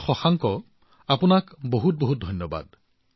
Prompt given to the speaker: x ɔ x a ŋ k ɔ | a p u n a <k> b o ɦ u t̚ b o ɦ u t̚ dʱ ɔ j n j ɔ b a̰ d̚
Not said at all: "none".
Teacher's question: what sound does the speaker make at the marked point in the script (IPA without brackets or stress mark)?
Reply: k